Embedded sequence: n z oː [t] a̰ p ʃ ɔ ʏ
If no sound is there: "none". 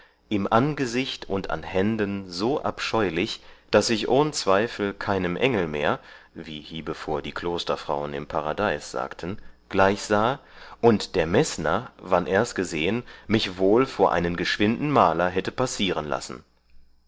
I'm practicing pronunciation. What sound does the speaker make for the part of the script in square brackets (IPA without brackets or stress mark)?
ʔ